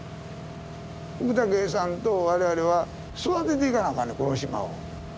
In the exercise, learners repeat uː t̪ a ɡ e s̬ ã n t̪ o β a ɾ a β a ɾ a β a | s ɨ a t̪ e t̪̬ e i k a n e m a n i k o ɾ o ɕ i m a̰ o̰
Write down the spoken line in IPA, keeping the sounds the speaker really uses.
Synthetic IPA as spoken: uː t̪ a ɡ e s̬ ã n t̪ o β a ɾ e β a ɾ e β a | s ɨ a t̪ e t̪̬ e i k a n a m a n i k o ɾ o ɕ i m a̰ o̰